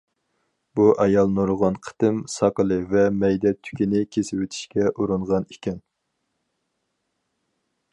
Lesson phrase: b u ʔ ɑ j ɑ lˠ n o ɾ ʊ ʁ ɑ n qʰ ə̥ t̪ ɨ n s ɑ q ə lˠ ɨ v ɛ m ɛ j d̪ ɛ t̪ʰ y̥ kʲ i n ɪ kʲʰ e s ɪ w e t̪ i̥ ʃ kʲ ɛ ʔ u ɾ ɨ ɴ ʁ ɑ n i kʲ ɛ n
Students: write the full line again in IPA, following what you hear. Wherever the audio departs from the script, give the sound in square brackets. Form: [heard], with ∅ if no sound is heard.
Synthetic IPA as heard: b u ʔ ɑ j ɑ lˠ n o ɾ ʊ ʁ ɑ n qʰ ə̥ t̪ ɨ [m] s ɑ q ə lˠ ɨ v ɛ m ɛ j d̪ ɛ t̪ʰ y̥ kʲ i n ɪ kʲʰ e s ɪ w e [t̪ʰ] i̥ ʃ kʲ ɛ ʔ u ɾ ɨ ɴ ʁ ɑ n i kʲ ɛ n